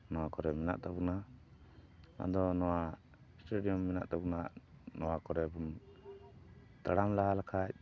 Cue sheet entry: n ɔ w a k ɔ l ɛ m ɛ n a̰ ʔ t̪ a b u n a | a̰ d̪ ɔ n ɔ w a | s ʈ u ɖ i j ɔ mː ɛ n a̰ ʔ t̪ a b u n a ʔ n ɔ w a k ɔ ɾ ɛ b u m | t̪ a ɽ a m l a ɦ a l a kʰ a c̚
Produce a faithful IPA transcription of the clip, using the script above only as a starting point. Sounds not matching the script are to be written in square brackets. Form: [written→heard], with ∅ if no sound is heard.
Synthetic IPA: n ɔ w a k ɔ [l→ɾ] ɛ m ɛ n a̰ ʔ t̪ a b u n a | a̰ d̪ ɔ n ɔ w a | s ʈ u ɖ i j ɔ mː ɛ n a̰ ʔ t̪ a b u n a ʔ n ɔ w a k ɔ ɾ ɛ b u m | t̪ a ɽ a m l a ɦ a l a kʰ a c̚